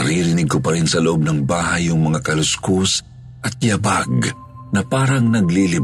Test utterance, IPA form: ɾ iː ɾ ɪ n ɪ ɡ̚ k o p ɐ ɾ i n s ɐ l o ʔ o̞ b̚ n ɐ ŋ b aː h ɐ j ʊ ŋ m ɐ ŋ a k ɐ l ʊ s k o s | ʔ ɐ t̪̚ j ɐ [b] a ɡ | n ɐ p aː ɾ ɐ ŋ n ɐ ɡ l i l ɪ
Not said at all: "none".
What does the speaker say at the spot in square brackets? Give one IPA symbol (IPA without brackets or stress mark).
b